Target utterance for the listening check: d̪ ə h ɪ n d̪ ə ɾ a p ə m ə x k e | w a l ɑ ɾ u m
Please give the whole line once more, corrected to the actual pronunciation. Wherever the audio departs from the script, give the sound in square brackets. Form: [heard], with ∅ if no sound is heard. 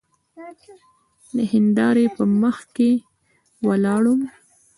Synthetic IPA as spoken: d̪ ə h ɪ n d̪ [ɑ] ɾ [e] p ə m ə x k e | w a l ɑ [ɽ] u m